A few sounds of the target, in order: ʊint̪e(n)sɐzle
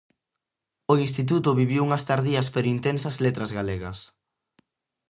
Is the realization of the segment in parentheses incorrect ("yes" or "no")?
no